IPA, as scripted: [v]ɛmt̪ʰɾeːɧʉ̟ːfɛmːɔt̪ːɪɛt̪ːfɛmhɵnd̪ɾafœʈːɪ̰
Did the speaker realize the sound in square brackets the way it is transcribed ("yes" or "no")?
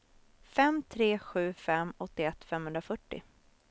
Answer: no